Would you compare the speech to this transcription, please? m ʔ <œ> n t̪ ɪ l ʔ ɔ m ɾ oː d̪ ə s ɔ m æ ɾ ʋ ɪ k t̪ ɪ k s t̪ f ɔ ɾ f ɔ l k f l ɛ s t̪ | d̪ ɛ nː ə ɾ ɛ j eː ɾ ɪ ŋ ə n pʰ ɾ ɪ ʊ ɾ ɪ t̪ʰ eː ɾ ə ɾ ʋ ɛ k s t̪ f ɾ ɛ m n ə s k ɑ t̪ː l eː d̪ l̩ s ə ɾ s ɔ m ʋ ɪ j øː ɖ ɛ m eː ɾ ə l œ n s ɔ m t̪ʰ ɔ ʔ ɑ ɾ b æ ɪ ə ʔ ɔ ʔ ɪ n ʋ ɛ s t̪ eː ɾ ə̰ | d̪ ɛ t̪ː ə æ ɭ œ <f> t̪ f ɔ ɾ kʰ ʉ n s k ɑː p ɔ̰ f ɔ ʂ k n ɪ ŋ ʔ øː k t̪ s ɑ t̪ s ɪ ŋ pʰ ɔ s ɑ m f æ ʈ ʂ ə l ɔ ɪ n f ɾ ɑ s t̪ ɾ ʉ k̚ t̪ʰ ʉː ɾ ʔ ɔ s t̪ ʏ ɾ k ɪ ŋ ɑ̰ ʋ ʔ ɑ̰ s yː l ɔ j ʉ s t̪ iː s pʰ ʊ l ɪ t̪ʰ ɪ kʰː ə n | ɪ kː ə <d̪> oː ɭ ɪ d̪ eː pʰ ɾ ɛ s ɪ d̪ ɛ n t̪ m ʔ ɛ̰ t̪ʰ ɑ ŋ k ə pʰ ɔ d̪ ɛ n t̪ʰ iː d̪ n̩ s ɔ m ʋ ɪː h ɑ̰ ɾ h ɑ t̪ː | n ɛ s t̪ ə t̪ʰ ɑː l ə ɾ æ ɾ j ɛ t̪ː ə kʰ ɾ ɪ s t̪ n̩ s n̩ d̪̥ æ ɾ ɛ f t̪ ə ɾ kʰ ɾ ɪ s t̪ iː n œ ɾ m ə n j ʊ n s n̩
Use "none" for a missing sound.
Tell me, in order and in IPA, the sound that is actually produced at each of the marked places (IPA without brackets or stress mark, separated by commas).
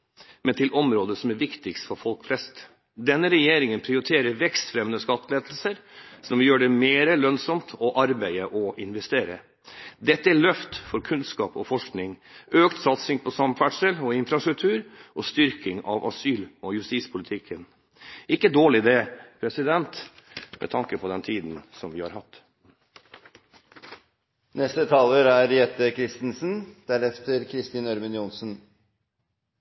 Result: ɛ, f, d̪